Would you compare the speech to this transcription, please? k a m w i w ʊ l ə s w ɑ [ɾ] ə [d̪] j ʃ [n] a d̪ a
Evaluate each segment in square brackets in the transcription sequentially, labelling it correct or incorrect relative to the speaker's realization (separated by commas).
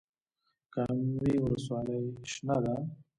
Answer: incorrect, incorrect, correct